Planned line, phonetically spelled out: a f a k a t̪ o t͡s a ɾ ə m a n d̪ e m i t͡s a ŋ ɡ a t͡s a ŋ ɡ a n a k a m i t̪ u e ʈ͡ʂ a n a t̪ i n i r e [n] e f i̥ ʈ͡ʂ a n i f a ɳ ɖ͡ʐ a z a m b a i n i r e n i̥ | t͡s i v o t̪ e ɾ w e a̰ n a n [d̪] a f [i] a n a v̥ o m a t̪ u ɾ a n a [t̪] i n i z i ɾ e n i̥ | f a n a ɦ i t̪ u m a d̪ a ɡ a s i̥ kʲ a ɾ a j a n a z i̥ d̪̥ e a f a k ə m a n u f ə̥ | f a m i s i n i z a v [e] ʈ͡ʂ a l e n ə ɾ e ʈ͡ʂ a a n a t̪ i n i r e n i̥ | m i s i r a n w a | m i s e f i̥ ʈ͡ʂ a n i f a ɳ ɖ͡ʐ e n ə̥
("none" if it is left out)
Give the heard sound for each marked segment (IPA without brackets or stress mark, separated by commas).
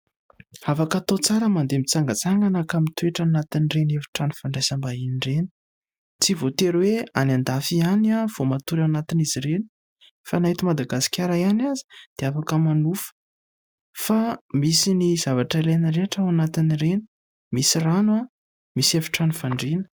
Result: n, d̪, i, t̪, a